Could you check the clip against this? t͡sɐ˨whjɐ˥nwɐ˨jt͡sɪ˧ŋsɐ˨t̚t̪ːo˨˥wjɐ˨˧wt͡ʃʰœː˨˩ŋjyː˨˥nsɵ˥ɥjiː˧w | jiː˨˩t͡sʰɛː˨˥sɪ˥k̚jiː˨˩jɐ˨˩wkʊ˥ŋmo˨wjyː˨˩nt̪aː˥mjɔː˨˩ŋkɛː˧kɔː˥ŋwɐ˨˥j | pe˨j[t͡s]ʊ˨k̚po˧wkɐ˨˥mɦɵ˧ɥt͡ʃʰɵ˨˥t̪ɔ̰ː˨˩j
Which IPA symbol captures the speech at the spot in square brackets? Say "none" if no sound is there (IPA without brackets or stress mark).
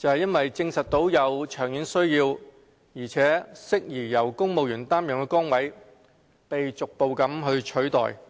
t͡s